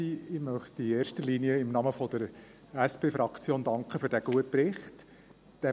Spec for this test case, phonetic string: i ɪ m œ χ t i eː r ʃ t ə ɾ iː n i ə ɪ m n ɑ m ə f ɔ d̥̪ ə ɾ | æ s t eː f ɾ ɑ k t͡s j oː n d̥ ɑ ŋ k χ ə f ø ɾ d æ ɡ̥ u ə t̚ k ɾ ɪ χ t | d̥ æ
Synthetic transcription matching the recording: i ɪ m œ χ t i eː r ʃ t ə l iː n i ə ɪ m n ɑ m ə f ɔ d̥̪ ə ɾ | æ s p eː f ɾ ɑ k t͡s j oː n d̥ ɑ ŋ k χ ə f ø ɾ d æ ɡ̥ u ə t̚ p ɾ ɪ χ t | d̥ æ